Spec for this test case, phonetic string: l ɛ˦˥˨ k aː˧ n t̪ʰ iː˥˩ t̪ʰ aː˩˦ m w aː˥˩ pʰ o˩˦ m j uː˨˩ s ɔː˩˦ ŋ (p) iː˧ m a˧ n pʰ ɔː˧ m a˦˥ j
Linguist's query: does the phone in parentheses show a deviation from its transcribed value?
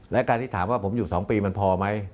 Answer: no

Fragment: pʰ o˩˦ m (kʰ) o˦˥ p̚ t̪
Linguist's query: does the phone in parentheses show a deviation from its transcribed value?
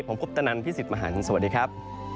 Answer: yes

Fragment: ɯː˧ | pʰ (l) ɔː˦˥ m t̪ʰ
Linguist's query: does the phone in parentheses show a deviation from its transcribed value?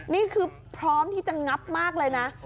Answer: yes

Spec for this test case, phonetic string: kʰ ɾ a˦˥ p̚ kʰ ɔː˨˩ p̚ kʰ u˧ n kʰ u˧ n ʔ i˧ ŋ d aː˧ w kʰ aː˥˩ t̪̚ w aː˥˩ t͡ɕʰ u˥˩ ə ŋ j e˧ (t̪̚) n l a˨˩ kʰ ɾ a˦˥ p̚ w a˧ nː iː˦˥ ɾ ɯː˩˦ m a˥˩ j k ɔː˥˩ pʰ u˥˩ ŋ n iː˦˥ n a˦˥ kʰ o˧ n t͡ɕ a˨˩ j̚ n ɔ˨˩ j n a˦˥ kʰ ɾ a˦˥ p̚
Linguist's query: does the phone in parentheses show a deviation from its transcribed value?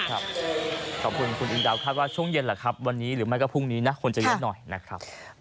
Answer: yes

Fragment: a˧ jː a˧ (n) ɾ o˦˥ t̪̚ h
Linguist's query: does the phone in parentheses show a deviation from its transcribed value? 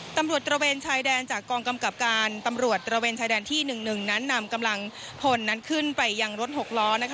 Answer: yes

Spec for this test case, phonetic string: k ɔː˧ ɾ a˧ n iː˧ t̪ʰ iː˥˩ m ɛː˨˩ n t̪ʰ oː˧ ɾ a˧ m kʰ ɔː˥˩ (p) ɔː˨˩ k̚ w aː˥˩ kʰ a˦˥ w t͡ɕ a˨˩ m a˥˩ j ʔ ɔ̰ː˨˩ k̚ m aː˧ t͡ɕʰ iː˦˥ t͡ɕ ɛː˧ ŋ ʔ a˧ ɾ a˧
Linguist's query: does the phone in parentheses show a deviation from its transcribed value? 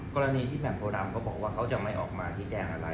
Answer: yes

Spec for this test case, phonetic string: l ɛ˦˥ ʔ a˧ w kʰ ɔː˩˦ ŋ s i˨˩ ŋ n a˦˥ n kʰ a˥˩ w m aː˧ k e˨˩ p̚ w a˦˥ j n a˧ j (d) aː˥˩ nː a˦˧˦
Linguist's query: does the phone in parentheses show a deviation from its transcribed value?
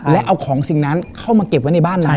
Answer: yes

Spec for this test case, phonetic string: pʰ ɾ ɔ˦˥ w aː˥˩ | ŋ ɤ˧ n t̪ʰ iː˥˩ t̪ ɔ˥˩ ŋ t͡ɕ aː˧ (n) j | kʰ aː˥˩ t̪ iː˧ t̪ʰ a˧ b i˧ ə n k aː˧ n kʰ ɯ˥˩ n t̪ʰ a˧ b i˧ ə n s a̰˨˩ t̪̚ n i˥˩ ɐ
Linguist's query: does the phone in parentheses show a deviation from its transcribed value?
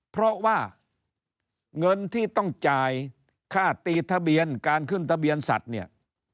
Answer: yes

